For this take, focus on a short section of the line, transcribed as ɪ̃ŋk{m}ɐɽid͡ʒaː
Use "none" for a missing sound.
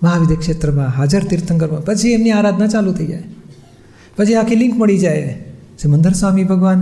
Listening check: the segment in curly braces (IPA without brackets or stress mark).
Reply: m